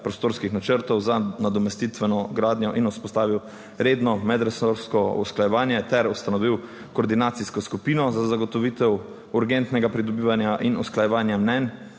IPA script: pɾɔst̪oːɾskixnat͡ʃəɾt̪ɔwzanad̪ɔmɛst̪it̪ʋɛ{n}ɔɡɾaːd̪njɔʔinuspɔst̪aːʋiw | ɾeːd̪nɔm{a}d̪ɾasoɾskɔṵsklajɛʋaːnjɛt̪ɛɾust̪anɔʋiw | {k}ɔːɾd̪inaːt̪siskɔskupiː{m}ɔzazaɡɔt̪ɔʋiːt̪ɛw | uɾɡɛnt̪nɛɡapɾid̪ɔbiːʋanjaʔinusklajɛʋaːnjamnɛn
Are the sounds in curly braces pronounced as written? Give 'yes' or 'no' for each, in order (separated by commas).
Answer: yes, no, yes, no